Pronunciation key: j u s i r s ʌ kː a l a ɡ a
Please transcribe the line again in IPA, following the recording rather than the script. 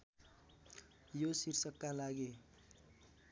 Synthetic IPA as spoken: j o s i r s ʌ kː a l a ɡ e